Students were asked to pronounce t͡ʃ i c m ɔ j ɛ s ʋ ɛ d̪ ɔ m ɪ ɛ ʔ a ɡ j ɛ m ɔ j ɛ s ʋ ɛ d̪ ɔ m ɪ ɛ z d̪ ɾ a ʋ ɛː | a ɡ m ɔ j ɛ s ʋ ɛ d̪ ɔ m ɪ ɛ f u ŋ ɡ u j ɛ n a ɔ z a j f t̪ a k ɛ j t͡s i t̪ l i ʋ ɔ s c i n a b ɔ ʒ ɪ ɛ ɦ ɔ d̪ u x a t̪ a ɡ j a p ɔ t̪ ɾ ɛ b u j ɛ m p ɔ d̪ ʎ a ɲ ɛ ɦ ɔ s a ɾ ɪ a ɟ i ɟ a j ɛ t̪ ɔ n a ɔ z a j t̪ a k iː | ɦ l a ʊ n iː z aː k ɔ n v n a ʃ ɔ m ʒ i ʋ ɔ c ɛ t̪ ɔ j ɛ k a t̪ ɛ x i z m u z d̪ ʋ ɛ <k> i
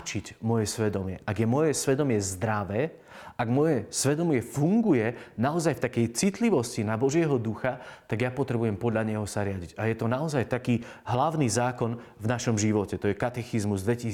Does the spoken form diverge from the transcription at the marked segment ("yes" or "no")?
yes